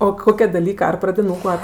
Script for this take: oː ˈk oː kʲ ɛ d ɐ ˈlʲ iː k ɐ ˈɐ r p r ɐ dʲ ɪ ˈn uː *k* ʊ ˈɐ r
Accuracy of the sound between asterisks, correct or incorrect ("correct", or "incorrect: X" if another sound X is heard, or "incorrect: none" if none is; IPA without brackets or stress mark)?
correct